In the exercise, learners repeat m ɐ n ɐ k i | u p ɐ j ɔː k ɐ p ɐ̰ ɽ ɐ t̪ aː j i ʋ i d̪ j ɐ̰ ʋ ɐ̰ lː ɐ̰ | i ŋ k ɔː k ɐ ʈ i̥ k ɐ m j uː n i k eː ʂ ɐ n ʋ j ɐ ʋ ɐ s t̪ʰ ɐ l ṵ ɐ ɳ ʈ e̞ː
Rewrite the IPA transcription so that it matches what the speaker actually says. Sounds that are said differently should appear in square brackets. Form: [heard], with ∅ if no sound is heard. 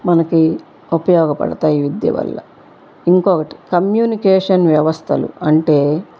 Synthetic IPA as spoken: m ɐ n ɐ k i | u p ɐ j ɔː [ɡ] ɐ p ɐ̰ ɽ ɐ t̪ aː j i ʋ i d̪ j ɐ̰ ʋ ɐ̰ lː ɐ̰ | i ŋ k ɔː k ɐ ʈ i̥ k ɐ m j uː n i k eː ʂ ɐ n ʋ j ɐ ʋ ɐ s t̪ʰ ɐ l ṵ ɐ ɳ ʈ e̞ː